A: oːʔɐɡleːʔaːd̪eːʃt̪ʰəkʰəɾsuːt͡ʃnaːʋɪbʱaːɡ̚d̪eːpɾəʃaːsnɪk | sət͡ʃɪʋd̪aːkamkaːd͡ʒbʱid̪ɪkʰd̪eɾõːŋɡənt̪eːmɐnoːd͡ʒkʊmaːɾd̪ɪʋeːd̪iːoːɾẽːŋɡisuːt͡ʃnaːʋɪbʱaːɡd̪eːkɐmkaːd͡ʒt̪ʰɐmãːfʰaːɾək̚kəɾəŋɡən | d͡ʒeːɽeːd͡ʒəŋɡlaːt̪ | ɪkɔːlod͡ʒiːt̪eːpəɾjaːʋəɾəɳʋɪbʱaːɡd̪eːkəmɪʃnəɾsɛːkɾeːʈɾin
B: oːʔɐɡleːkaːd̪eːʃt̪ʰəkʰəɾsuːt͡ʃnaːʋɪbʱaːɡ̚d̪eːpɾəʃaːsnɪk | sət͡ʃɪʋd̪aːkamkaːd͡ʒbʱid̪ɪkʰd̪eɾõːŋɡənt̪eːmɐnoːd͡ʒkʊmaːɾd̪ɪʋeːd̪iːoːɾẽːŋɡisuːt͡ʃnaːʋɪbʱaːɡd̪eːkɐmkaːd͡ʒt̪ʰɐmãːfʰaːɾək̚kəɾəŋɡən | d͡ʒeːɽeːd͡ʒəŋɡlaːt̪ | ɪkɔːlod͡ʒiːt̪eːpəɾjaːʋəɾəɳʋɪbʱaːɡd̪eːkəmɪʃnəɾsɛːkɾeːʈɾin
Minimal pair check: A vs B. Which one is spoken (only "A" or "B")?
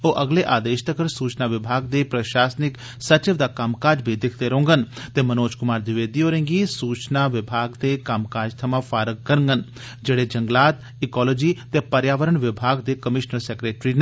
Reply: A